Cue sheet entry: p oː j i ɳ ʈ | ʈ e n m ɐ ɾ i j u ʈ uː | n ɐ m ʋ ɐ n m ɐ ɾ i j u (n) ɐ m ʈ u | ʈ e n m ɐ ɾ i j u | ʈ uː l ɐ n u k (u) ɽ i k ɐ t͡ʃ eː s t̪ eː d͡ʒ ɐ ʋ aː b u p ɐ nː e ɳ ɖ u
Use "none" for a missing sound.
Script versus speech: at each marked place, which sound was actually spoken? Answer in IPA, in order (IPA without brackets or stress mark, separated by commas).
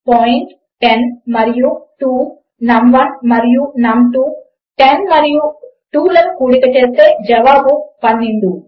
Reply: n, uː